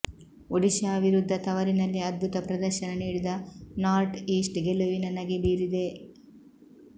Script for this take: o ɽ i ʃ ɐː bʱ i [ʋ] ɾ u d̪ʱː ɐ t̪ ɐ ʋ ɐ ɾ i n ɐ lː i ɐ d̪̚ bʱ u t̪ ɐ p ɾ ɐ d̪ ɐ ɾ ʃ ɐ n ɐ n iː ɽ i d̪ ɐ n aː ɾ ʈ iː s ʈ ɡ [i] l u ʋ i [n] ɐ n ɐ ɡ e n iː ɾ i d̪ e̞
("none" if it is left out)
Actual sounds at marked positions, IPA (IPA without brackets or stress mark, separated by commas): none, e, n